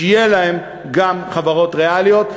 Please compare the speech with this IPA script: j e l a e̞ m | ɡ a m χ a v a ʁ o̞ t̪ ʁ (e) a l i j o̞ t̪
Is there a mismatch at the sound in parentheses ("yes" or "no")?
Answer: no